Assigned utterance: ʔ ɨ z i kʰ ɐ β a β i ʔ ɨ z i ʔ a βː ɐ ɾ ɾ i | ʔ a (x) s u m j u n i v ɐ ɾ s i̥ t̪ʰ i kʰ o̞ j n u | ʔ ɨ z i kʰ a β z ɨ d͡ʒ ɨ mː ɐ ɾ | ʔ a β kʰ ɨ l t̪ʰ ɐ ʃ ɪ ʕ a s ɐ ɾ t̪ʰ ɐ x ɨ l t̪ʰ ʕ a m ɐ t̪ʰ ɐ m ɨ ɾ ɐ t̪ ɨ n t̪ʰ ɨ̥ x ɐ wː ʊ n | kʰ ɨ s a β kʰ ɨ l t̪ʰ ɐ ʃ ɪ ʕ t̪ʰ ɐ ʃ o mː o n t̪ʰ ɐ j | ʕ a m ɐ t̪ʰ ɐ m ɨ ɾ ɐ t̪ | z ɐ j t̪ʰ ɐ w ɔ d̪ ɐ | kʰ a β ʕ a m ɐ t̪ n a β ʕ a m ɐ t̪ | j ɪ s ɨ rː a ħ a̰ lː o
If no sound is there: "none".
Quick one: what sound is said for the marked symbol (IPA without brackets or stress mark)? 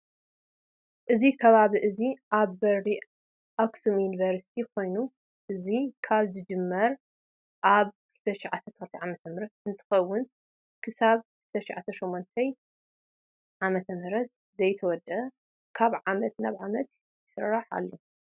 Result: k